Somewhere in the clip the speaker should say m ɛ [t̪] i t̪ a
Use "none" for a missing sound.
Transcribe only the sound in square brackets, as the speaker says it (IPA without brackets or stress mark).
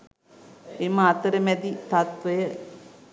d̪